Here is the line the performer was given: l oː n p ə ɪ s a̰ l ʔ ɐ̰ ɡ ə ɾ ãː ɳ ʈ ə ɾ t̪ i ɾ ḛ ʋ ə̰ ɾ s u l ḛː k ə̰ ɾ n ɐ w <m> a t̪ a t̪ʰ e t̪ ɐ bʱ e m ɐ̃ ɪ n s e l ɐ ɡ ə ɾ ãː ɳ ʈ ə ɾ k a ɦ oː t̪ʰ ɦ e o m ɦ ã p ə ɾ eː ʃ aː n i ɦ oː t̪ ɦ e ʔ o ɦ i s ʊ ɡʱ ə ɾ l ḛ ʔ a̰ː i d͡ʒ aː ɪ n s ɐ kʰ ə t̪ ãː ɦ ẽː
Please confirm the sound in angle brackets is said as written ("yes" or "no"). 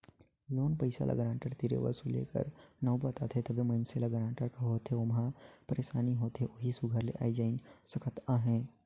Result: no